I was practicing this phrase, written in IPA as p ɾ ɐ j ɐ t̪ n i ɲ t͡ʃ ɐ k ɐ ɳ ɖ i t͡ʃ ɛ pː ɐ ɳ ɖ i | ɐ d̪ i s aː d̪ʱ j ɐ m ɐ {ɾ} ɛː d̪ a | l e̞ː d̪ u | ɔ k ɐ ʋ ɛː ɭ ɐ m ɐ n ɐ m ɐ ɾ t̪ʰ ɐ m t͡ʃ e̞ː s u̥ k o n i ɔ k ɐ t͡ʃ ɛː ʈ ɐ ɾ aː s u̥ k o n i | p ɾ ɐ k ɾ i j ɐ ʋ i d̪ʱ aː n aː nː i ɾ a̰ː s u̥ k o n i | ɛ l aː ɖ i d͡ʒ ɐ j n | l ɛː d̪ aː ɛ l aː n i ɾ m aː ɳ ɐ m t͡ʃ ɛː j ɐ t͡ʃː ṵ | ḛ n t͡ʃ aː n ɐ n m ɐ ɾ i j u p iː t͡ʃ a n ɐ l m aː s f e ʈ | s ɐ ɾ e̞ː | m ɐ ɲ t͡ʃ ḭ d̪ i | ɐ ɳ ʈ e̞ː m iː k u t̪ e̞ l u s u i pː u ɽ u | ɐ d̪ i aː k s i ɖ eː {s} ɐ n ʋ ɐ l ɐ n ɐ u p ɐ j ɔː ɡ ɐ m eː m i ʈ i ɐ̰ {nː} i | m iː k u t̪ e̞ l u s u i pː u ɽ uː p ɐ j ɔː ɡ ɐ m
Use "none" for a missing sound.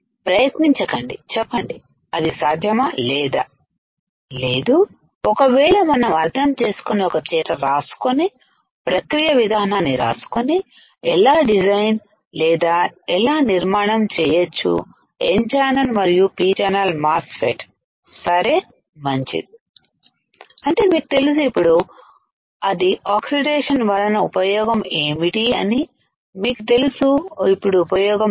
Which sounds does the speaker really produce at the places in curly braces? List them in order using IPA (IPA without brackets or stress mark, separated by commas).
l, ʂ, n